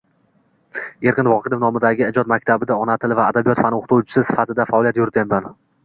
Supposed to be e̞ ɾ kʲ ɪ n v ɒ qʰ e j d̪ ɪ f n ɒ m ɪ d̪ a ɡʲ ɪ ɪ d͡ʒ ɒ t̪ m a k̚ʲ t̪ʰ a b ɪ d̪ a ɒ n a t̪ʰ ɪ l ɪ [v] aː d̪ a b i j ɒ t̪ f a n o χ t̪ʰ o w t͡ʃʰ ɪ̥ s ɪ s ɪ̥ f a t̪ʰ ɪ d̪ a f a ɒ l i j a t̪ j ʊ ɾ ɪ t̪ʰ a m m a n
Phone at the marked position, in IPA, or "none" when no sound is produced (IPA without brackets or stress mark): v